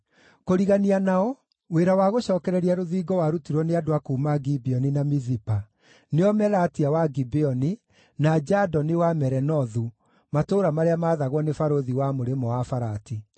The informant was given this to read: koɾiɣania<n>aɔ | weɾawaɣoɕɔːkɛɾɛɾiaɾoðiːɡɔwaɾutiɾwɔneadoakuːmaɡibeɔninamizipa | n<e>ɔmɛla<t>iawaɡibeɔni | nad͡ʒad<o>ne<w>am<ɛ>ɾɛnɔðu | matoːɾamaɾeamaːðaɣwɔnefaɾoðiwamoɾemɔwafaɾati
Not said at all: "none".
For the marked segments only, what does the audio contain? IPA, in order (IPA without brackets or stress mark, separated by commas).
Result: n, e, t, ɔ, w, ɛ